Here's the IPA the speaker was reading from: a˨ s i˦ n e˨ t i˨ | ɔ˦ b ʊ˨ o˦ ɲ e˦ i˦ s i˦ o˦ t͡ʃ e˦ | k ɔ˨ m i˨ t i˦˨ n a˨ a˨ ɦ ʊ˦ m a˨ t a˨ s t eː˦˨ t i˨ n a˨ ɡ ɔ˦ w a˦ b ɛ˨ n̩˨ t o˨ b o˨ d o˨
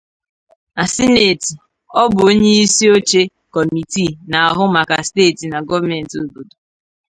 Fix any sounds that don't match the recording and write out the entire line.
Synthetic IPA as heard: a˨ s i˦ n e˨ t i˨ | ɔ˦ b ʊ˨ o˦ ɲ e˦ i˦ s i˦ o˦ t͡ʃ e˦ | k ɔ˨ m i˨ t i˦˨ n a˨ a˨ ɦ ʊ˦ m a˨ k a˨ s t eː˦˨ t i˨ n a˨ ɡ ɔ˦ v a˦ m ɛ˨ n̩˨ t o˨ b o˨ d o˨

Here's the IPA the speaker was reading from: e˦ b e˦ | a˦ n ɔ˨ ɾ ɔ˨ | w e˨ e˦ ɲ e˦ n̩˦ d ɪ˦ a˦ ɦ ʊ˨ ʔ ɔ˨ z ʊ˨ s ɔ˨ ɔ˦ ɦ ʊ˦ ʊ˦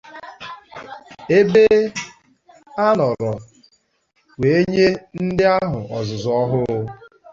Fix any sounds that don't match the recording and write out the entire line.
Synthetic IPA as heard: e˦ b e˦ | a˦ n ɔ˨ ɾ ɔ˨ | w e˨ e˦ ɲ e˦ n̩˦ d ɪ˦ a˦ ɦ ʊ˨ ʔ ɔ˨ z ʊ˨ z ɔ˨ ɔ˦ ɦ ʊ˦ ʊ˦

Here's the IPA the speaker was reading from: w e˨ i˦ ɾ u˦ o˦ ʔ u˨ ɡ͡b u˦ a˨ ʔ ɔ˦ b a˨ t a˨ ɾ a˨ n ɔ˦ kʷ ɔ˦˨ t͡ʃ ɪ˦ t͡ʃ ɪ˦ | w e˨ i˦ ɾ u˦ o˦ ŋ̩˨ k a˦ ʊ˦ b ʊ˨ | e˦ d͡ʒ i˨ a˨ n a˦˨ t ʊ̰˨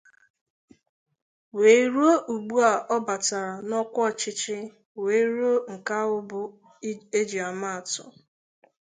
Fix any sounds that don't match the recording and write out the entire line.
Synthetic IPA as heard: w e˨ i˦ ɾ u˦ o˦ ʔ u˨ ɡ͡b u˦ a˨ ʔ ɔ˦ b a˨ t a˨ ɾ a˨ n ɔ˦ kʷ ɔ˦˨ t͡ʃ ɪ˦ t͡ʃ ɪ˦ | w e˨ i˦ ɾ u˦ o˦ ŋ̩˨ k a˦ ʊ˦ b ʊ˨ | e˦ d͡ʒ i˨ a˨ m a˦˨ t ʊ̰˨

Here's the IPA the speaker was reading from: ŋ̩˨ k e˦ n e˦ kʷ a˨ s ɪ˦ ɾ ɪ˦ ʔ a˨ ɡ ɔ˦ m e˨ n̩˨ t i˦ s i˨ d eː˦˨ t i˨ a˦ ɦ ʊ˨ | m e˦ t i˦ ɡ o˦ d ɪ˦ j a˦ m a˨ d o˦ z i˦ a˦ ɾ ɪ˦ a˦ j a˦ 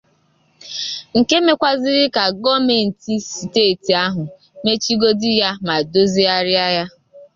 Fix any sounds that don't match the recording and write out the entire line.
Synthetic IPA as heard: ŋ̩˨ k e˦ m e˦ kʷ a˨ z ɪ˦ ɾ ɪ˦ k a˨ ɡ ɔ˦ m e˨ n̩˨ t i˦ s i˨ t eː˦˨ t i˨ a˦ ɦ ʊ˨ | m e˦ t͡ʃ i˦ ɡ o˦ d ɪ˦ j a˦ m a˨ d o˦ z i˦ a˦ ɾ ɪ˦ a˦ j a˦

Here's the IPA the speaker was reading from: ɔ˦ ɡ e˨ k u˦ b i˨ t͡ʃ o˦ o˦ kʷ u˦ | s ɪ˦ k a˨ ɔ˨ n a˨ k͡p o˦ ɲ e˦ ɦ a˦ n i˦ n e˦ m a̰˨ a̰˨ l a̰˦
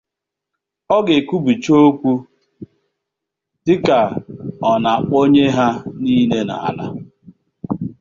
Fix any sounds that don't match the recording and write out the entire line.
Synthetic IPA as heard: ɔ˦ ɡ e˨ k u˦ b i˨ t͡ʃ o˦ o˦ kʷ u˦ | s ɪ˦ k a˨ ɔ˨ n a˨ k͡p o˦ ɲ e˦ ɦ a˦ n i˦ n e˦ n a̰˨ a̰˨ l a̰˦

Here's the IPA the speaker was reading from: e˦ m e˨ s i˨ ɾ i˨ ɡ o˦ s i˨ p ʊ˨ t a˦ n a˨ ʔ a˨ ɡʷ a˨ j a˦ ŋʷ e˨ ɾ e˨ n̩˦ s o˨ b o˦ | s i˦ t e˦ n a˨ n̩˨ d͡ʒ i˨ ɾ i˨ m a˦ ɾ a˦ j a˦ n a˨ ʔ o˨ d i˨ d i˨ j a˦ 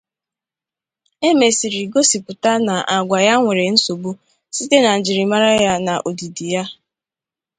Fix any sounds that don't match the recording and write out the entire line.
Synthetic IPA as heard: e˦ m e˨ s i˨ ɾ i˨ ɡ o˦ s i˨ p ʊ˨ t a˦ n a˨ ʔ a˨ ɡʷ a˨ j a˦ ŋʷ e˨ ɾ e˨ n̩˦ s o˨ b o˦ | s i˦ t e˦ n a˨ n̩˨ d͡ʒ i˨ ɾ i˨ m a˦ ɾ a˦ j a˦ n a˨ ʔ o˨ d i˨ d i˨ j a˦

